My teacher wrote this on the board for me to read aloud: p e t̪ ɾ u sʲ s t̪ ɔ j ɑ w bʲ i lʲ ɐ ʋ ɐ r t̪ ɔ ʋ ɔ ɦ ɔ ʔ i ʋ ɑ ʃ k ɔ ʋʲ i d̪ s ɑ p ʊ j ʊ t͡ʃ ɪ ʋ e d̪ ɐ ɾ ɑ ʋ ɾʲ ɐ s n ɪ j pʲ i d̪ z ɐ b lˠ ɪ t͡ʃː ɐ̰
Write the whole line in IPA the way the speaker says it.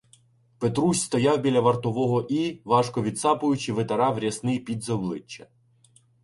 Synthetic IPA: p e t̪ ɾ u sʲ s t̪ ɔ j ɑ w bʲ i lʲ ɐ ʋ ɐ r t̪ ɔ ʋ ɔ ɦ ɔ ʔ i ʋ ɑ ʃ k ɔ ʋʲ i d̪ s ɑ p ʊ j ʊ t͡ʃ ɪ ʋ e t̪ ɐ ɾ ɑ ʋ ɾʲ ɐ s n ɪ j pʲ i d̪ z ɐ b lˠ ɪ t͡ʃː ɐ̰